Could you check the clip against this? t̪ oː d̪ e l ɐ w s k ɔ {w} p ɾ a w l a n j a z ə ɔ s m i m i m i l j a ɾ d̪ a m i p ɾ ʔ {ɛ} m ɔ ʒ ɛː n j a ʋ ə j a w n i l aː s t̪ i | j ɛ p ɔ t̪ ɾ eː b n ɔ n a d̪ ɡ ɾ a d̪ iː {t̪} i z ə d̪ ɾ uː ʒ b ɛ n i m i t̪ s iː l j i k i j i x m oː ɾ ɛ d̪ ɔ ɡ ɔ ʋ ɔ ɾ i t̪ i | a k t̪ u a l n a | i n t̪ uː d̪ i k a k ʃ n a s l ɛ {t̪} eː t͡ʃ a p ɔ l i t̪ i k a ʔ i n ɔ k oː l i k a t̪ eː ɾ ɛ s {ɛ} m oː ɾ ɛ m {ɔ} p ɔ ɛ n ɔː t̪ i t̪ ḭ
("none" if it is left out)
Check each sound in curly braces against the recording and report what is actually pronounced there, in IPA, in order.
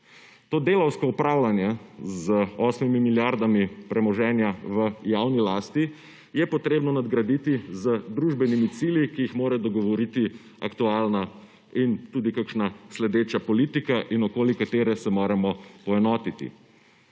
u, ɛ, t̪, d̪, ɛ, ɔ

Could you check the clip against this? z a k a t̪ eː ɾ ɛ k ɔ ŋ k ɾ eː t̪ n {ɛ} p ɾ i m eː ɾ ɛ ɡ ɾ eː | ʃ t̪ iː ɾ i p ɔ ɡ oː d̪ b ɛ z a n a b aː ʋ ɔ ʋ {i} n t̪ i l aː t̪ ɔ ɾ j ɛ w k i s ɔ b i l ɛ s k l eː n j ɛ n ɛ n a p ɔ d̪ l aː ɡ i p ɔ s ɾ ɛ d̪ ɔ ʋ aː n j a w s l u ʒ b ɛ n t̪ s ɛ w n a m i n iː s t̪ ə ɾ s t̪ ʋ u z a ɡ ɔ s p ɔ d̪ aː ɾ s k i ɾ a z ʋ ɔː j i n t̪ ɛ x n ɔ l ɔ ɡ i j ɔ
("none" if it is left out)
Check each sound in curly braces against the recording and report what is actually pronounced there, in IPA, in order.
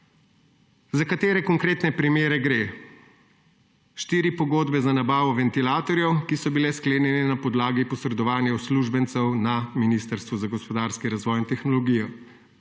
ɛ, ɛ

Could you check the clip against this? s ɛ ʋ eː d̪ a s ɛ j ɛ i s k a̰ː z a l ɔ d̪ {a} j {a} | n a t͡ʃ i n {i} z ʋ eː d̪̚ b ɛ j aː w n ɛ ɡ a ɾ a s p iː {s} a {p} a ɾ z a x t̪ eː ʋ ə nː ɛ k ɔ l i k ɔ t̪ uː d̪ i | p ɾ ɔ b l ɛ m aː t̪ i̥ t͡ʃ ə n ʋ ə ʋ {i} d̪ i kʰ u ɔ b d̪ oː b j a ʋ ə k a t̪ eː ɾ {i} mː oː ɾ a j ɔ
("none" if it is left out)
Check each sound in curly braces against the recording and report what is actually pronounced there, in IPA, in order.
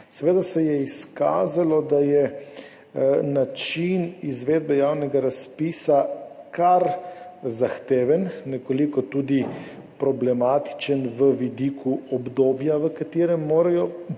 a, ɛ, i, s, k, i, ɛ

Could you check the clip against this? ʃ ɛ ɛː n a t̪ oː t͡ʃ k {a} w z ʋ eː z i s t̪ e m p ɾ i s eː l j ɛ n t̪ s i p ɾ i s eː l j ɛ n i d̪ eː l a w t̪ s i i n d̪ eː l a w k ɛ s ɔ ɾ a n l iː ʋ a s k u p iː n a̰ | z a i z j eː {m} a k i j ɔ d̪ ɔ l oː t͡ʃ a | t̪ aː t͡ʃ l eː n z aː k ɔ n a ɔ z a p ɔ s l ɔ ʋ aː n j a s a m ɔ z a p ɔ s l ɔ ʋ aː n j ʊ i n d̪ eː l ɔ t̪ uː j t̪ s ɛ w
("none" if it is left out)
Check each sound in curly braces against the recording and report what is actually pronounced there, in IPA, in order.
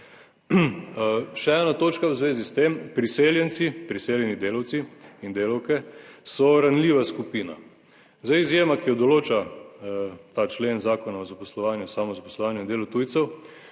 a, m

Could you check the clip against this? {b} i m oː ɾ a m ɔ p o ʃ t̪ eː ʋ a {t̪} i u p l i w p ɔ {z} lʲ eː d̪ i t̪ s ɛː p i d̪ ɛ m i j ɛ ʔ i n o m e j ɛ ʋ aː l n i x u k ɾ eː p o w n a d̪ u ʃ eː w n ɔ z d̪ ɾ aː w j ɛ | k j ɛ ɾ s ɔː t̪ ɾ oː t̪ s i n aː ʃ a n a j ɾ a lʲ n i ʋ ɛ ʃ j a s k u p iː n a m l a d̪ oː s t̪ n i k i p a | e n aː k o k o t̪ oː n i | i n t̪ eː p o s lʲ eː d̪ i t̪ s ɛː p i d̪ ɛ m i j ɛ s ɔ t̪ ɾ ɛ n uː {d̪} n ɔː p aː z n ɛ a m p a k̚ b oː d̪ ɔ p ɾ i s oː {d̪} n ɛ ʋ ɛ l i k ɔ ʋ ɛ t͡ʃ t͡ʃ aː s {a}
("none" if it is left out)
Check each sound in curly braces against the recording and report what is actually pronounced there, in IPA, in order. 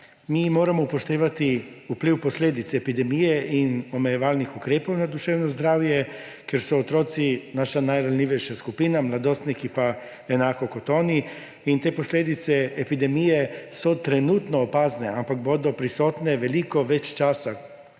m, t̪, s, t̪, t̪, a

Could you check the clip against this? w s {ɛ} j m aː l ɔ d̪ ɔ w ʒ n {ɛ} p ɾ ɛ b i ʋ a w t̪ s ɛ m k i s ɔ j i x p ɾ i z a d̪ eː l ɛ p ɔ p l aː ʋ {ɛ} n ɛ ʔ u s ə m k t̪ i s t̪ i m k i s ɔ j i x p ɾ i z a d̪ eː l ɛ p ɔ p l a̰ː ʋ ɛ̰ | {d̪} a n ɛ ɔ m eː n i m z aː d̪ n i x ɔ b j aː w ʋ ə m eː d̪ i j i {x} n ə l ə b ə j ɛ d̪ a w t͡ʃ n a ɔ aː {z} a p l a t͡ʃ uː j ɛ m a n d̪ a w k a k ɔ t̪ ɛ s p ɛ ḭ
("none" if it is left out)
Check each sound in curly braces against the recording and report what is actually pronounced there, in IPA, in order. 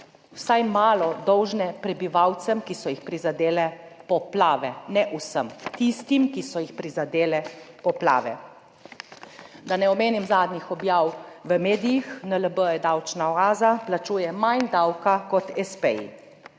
a, ɛ, ɛ, d̪, x, z

